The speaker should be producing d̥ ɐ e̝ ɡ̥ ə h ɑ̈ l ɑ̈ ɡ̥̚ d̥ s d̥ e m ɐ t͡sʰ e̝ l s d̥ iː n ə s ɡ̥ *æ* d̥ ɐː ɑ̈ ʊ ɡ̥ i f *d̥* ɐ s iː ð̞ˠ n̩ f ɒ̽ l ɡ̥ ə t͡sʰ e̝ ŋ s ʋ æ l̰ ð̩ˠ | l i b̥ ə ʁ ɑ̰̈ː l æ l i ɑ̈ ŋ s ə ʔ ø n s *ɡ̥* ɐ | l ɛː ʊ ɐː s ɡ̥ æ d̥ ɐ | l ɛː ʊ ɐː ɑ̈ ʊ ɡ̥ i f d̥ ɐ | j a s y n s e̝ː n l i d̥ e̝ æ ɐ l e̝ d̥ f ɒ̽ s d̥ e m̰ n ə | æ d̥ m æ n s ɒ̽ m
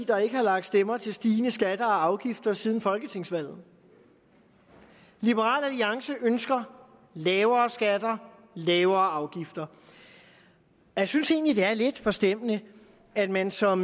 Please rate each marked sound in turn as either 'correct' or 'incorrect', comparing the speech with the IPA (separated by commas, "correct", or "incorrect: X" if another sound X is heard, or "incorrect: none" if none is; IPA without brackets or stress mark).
correct, correct, correct